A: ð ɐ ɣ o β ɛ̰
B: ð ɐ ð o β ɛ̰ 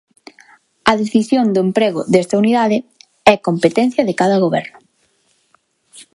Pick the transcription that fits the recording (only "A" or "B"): A